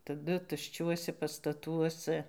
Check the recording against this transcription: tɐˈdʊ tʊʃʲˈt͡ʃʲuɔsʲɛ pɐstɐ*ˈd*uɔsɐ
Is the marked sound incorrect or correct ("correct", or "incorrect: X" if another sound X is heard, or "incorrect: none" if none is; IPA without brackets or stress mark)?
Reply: incorrect: t